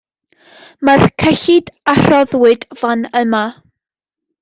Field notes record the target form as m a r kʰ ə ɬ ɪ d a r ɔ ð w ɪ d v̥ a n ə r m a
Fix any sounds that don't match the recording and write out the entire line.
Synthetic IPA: m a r kʰ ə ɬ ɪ d a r ɔ ð w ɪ d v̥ a n ə m a